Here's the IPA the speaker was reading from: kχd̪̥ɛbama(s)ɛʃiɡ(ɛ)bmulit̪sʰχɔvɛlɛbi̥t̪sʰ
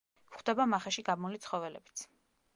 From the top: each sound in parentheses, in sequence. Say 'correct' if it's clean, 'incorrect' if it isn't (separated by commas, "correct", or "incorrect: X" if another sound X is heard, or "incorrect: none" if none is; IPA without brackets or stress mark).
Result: incorrect: χ, incorrect: a